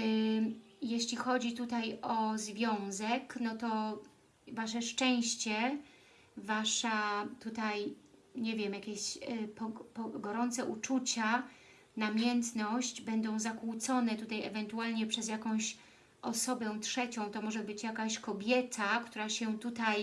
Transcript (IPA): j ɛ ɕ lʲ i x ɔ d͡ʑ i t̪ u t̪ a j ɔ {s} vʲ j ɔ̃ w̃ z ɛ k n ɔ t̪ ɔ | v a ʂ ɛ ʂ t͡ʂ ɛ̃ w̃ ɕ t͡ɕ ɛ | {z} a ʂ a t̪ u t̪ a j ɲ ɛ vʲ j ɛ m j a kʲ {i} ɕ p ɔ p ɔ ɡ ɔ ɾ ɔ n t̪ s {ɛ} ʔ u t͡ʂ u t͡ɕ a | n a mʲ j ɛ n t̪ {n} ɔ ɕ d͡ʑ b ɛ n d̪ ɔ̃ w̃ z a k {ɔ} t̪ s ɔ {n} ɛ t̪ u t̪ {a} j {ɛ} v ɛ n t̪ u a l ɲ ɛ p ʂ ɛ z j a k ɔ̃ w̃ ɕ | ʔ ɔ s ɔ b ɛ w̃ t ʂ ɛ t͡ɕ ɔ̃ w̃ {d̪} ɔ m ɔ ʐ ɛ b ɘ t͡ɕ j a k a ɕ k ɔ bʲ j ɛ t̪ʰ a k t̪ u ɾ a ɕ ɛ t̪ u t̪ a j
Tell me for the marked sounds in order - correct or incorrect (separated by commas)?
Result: incorrect, incorrect, incorrect, correct, correct, incorrect, correct, correct, correct, incorrect